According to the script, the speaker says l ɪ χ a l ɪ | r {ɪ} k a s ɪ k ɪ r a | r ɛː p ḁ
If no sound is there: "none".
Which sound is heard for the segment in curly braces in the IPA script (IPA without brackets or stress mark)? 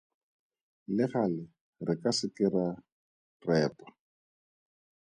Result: ɪ